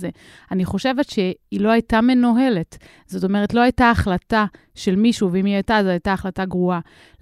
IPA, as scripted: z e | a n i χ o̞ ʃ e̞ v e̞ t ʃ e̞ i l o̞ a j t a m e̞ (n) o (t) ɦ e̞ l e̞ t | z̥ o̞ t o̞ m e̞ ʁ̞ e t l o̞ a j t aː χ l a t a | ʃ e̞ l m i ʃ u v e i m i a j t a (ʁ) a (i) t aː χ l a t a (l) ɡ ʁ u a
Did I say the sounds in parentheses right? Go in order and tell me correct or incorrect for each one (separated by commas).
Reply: correct, incorrect, incorrect, incorrect, incorrect